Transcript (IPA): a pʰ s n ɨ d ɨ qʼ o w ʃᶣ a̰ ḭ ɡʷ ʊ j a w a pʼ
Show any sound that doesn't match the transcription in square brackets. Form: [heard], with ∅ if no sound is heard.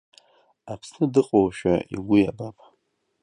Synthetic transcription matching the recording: a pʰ s n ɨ d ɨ qʼ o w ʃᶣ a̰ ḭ ɡʷ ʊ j a [b] a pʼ